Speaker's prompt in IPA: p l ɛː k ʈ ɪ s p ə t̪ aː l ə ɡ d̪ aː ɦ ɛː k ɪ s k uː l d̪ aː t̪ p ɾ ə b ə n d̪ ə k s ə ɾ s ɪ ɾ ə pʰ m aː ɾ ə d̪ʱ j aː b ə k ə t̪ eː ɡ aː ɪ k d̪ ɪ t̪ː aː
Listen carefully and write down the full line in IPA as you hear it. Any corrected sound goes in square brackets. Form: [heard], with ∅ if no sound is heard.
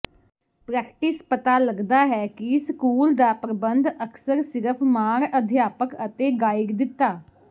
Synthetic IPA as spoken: p [ɾ] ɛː k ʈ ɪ s p ə t̪ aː l ə ɡ d̪ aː ɦ ɛː k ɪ s k uː l d̪ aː [∅] p ɾ ə b ə n d̪ ə k s ə ɾ s ɪ ɾ ə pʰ m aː ɾ ə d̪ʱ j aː [p] ə k ə t̪ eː ɡ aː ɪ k d̪ ɪ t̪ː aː

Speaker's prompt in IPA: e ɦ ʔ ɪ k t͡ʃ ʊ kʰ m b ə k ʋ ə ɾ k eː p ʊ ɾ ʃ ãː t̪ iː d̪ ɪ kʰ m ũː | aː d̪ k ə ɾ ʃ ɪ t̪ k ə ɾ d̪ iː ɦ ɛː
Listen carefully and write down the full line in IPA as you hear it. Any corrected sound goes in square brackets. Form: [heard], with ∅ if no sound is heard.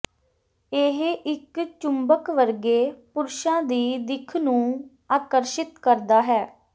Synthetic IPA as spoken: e ɦ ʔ ɪ k t͡ʃ ʊ [∅] m b ə k ʋ ə ɾ [ɡ] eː p ʊ ɾ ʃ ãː [d̪] iː d̪ ɪ kʰ [n] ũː | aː [∅] k ə ɾ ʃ ɪ t̪ k ə ɾ d̪ [aː] ɦ ɛː

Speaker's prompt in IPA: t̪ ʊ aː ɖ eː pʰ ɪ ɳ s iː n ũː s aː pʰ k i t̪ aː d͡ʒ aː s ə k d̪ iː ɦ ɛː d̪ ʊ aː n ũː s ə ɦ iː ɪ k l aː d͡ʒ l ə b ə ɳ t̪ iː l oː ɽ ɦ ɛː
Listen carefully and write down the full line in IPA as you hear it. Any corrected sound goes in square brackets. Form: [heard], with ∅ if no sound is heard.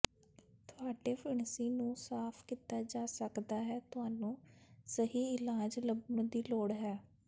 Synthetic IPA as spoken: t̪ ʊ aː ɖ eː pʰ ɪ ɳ s iː n ũː s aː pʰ k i t̪ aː d͡ʒ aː s ə k d̪ [aː] ɦ ɛː [t̪] ʊ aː n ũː s ə ɦ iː ɪ [∅] l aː d͡ʒ l ə b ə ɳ [d̪] iː l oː ɽ ɦ ɛː

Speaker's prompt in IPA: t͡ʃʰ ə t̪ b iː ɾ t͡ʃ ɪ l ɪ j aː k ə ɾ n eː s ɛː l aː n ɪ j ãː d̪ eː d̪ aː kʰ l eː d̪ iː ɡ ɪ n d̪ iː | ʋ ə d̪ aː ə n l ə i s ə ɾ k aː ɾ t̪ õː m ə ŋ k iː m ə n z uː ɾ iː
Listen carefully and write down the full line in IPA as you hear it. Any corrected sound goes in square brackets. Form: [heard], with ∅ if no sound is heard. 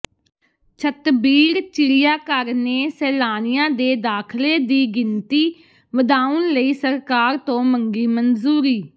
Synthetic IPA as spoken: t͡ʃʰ ə t̪ b iː ɾ t͡ʃ ɪ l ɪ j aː k ə ɾ n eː s ɛː l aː n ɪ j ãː d̪ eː d̪ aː kʰ l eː d̪ iː ɡ ɪ n [t̪] iː | ʋ ə d̪ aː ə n l ə [iː] s ə ɾ k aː ɾ t̪ õː m ə ŋ [ɡ] iː m ə n z uː ɾ iː

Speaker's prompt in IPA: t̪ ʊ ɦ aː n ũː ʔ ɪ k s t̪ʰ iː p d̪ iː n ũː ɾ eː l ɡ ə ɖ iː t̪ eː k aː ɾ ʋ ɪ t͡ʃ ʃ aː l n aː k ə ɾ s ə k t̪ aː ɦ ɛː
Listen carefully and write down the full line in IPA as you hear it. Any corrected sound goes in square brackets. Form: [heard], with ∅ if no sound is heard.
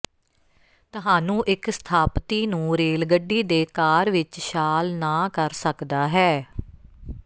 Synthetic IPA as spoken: t̪ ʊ ɦ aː n ũː ʔ ɪ k s t̪ʰ [aː] p [t̪] iː n ũː ɾ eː l ɡ ə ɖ iː [d̪] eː k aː ɾ ʋ ɪ t͡ʃ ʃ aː l n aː k ə ɾ s ə k [d̪] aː ɦ ɛː

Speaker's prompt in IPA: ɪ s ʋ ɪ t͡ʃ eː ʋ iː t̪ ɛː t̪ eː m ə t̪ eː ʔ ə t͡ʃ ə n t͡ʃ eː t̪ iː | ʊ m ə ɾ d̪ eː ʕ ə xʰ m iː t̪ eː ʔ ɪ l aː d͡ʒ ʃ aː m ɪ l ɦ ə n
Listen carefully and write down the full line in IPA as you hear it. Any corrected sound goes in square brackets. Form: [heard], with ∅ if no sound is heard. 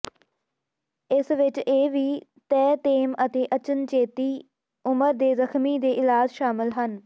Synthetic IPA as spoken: ɪ s ʋ ɪ t͡ʃ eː ʋ iː t̪ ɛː t̪ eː m ə t̪ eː ʔ ə t͡ʃ ə n t͡ʃ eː t̪ iː | ʊ m ə ɾ d̪ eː [z] ə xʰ m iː [d̪] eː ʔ ɪ l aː d͡ʒ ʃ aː m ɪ l ɦ ə n

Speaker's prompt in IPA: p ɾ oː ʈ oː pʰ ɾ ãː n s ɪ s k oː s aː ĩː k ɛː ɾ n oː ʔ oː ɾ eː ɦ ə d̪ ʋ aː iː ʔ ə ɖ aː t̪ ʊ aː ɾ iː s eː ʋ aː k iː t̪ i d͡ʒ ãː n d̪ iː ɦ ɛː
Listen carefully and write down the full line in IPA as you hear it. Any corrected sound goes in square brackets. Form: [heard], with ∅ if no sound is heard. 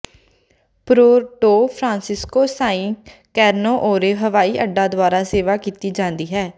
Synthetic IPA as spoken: p ɾ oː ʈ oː pʰ ɾ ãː n s ɪ s k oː s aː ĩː k ɛː ɾ n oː ʔ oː ɾ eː ɦ ə [∅] ʋ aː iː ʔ ə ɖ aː [d̪] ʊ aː ɾ [aː] s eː ʋ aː k iː t̪ [iː] d͡ʒ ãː n d̪ iː ɦ ɛː

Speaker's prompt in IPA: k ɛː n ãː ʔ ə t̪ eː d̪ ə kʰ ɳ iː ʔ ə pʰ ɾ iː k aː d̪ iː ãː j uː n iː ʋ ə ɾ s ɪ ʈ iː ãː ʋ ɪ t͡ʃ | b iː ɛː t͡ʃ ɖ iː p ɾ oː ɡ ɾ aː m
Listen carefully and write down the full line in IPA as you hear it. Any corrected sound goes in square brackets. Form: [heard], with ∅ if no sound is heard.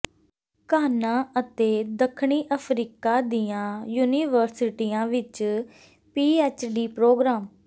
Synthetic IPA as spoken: k [aː] n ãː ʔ ə t̪ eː d̪ ə kʰ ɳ iː ʔ ə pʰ ɾ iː k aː d̪ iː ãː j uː n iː ʋ ə ɾ s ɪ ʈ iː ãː ʋ ɪ t͡ʃ | [p] iː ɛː t͡ʃ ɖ iː p ɾ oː ɡ ɾ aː m

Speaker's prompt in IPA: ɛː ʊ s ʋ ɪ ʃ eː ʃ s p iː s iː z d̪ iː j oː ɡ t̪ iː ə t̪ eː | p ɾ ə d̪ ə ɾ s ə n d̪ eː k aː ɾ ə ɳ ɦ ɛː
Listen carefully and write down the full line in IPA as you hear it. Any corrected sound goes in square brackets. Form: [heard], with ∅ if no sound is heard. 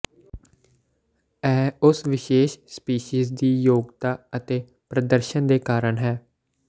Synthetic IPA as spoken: ɛː ʊ s ʋ ɪ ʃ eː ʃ s p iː [ʃ] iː z d̪ iː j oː ɡ t̪ [aː] ə t̪ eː | p ɾ ə d̪ ə ɾ [ʃ] ə n d̪ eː k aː ɾ ə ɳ ɦ ɛː

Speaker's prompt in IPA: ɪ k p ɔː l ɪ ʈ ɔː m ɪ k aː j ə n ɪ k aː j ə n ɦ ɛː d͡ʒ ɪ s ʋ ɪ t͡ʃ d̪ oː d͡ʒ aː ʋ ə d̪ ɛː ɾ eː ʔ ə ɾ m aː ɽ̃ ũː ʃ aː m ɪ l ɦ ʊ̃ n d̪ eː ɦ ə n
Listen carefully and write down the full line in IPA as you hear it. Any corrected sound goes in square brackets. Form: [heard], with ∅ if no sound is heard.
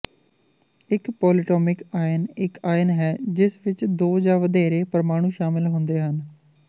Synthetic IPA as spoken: ɪ k p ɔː l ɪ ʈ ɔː m ɪ k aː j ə n ɪ k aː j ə n ɦ ɛː d͡ʒ ɪ s ʋ ɪ t͡ʃ d̪ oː d͡ʒ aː ʋ ə d̪ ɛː ɾ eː [p] ə ɾ m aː ɽ̃ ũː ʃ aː m ɪ l ɦ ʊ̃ n d̪ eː ɦ ə n

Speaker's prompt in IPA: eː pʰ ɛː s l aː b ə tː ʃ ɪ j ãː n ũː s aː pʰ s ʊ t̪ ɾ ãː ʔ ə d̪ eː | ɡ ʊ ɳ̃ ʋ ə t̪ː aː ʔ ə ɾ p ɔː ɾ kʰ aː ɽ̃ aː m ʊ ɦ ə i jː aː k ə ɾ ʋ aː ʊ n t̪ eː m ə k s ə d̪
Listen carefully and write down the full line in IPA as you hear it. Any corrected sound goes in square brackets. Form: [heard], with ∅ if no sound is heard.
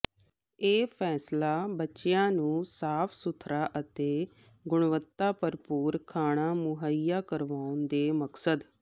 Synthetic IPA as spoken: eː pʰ ɛː s l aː b ə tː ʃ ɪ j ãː n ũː s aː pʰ s ʊ [t̪ʰ] ɾ [aː] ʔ ə [t̪] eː | ɡ ʊ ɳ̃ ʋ ə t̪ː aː [p] ə ɾ p [uː] ɾ kʰ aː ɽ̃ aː m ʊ ɦ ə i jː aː k ə ɾ ʋ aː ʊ n [d̪] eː m ə k s ə d̪

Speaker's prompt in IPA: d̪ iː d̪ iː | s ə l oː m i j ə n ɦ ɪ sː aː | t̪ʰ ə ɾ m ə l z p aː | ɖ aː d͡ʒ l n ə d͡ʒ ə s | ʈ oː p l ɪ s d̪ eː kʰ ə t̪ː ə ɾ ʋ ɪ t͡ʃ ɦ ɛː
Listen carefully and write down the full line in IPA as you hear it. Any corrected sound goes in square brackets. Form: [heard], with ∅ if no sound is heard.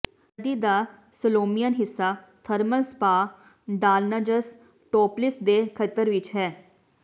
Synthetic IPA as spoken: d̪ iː d̪ [aː] | s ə l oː m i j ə n ɦ ɪ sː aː | t̪ʰ ə ɾ m ə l [s] p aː | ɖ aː [∅] l n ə d͡ʒ ə s | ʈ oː p l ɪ s d̪ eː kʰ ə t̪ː ə ɾ ʋ ɪ t͡ʃ ɦ ɛː

